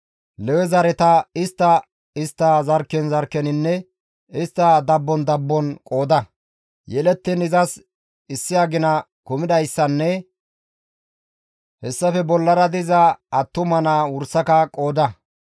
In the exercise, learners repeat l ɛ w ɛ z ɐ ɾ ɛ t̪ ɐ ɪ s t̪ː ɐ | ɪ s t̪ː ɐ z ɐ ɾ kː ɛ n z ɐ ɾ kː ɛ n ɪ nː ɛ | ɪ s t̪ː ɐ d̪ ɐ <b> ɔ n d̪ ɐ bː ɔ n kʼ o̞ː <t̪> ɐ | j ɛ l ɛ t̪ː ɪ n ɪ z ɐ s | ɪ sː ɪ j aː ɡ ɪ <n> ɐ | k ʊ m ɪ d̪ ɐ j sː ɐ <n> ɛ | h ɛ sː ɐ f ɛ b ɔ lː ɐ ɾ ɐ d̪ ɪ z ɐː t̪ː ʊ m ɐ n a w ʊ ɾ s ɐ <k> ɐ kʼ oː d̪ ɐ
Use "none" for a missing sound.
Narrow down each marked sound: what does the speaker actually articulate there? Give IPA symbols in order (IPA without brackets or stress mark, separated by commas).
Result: bː, d̪, n, nː, k